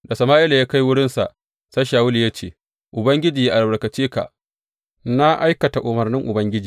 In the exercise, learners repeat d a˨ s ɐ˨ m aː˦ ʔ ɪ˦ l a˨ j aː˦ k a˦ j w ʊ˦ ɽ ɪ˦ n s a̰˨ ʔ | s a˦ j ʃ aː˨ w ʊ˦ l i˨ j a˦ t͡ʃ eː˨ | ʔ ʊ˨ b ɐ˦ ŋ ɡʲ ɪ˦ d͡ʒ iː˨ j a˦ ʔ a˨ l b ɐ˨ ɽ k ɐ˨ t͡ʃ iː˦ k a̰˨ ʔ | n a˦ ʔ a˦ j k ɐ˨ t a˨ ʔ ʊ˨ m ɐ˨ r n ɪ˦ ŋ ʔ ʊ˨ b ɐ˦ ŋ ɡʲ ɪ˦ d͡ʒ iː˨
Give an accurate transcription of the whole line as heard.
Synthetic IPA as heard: d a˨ s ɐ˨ m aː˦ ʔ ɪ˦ l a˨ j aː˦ k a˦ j w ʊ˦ ɽ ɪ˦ n s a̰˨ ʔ | s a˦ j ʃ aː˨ w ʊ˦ l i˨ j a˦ t͡ʃ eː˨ | ʔ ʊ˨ b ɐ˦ ŋ ɡʲ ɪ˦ d͡ʒ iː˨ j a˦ ʔ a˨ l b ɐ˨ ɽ k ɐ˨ t͡ʃ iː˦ k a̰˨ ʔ | n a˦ ʔ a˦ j k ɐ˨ t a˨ ʔ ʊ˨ m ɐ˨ r n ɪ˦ ŋ ʔ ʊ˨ b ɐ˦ ŋ ɡʲ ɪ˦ d͡ʒ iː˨

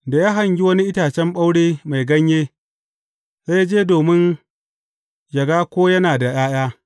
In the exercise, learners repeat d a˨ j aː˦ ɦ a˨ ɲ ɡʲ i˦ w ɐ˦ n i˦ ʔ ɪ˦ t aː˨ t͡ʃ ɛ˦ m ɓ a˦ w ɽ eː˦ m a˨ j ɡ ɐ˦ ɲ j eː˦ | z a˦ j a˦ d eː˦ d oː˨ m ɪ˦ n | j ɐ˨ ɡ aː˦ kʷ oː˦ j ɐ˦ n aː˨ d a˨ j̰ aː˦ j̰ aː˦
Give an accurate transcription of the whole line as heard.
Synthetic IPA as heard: d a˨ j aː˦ ɦ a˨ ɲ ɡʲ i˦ w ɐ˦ n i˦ ʔ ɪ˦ t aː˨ t͡ʃ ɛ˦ m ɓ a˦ w ɽ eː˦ m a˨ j ɡ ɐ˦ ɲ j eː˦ | z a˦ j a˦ d͡ʒ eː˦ d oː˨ m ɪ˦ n | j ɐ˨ ɡ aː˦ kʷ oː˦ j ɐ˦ n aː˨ d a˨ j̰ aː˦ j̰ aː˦

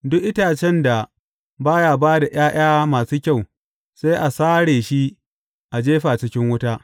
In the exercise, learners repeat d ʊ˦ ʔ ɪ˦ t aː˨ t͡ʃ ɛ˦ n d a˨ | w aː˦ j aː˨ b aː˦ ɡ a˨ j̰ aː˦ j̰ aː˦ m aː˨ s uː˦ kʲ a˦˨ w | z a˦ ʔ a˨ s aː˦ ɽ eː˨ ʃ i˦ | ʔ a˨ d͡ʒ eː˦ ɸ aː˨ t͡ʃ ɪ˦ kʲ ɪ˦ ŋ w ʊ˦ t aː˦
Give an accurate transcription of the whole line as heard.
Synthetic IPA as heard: d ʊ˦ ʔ ɪ˦ t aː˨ t͡ʃ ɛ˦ n d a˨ | b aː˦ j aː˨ b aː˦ d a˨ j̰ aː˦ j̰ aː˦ m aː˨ s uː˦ kʲ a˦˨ w | s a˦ ʔ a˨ s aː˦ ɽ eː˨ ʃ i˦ | ʔ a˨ d͡ʒ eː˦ ɸ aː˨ t͡ʃ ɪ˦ kʲ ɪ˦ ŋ w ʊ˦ t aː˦

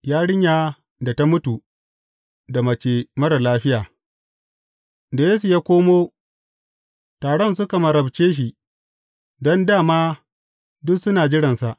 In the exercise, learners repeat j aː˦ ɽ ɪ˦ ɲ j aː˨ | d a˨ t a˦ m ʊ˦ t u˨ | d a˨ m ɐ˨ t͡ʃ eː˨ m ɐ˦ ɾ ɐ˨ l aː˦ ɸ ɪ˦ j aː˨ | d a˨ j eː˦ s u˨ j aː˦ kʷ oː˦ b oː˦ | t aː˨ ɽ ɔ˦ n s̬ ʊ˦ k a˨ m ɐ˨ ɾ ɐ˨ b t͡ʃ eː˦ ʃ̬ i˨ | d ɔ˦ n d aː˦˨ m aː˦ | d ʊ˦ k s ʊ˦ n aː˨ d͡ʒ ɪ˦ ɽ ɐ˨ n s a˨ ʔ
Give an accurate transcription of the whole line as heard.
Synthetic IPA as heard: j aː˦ ɽ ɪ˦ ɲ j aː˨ | d a˨ t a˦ m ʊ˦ t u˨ | d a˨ m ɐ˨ t͡ʃ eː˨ m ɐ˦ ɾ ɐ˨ l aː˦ ɸ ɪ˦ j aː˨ | d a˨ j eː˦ s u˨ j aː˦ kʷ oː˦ m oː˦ | t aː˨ ɽ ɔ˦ n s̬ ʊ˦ k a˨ m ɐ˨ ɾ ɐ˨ b t͡ʃ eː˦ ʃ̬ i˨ | d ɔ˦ n d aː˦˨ m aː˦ | d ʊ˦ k s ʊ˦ n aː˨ d͡ʒ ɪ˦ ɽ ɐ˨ n s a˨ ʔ

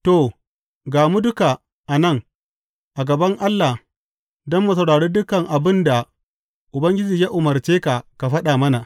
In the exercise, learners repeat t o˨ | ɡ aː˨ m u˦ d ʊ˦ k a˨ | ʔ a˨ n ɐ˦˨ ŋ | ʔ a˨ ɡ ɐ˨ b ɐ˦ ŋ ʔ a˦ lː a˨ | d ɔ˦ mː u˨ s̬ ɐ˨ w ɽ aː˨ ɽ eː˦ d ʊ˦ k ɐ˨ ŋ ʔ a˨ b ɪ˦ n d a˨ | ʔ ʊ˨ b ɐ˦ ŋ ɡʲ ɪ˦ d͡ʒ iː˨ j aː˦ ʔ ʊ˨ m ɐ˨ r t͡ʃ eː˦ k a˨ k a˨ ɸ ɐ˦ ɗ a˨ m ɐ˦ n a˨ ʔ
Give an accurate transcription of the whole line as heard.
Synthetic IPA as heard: t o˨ | ɡ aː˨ m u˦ d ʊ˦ k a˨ | ʔ a˨ n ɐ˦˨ ŋ | ʔ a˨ ɡ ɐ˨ b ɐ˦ ŋ ʔ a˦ lː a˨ | d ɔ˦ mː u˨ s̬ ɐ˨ w ɽ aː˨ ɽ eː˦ d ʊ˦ k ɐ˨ ŋ ʔ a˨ b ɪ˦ n d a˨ | ʔ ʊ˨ b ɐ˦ ŋ ɡʲ ɪ˦ d͡ʒ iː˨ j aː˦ ʔ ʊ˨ m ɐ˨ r t͡ʃ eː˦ k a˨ k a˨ ɸ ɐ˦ ɗ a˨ m ɐ˦ n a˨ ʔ

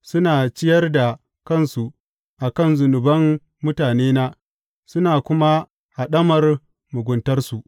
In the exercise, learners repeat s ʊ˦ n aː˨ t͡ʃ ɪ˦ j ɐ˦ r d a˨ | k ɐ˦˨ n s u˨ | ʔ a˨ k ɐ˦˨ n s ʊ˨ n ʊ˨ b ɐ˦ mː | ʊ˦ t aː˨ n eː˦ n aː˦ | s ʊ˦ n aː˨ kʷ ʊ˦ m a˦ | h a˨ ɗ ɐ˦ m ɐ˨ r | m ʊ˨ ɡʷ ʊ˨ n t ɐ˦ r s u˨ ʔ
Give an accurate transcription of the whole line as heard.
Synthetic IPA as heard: s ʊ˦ n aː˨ t͡ʃ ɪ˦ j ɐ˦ r d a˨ | k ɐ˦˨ n s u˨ | ʔ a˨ k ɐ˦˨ n z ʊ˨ n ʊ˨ b ɐ˦ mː | ʊ˦ t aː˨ n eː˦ n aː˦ | s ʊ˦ n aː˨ kʷ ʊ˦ m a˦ | h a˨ ɗ ɐ˦ m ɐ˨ r | m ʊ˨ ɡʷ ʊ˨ n t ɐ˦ r s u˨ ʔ

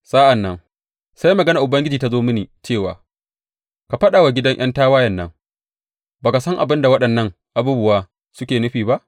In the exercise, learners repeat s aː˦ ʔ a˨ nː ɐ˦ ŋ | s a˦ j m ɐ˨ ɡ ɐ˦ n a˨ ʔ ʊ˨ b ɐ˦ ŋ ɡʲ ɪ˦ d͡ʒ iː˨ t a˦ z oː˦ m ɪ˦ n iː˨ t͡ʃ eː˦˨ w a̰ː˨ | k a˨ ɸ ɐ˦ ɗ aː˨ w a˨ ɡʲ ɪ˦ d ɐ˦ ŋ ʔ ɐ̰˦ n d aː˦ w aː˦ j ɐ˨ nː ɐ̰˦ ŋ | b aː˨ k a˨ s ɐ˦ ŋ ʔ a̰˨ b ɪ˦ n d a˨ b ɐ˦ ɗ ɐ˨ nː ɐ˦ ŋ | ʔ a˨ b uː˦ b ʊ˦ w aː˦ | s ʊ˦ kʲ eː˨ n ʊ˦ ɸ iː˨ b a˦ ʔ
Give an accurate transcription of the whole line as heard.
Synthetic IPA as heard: s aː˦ ʔ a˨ nː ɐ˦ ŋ | s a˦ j m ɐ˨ ɡ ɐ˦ n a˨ ʔ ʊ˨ b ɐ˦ ŋ ɡʲ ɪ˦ d͡ʒ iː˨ t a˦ z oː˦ m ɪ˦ n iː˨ t͡ʃ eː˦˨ w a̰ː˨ | k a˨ ɸ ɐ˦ ɗ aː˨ w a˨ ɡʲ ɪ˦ d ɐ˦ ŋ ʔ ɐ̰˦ n t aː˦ w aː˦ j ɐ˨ nː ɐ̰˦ ŋ | b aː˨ k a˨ s ɐ˦ ŋ ʔ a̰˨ b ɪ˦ n d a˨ w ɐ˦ ɗ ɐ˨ nː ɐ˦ ŋ | ʔ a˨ b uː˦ b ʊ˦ w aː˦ | s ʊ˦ kʲ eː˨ n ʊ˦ ɸ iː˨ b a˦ ʔ

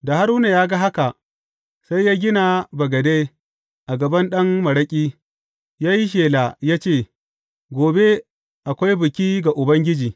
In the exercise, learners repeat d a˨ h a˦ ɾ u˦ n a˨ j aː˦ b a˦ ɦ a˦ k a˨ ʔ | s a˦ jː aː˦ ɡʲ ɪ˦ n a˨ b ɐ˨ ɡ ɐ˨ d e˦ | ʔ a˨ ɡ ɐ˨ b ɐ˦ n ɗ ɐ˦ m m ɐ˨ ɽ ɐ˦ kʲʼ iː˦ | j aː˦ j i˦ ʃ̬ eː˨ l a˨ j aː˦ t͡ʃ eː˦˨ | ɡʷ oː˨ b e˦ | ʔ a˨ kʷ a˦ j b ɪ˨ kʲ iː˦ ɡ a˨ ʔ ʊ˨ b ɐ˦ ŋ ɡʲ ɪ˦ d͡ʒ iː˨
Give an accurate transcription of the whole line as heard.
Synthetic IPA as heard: d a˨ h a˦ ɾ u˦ n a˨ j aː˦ ɡ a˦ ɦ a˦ k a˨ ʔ | s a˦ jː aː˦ ɡʲ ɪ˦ n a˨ b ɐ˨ ɡ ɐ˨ d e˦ | ʔ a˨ ɡ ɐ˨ b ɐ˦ n ɗ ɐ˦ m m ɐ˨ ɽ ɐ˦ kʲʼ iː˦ | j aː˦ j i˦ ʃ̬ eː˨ l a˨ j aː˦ t͡ʃ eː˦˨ | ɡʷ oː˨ b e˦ | ʔ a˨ kʷ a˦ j b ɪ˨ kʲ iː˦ ɡ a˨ ʔ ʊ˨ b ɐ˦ ŋ ɡʲ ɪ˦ d͡ʒ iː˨

